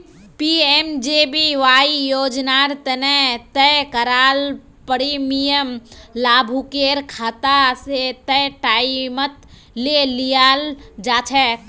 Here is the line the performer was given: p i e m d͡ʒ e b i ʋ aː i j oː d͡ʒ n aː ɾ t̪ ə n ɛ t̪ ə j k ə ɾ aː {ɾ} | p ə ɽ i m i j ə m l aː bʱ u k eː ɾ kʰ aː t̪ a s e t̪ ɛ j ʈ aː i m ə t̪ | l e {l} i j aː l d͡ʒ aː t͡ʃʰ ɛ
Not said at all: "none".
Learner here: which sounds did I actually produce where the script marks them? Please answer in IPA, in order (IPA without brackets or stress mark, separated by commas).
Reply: l, l